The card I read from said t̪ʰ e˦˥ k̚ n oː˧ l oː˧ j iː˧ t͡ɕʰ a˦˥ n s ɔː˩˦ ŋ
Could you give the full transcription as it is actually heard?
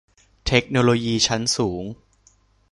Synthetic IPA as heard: t̪ʰ e˦˥ k̚ n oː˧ l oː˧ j iː˧ t͡ɕʰ a˦˥ n s uː˩˦ ŋ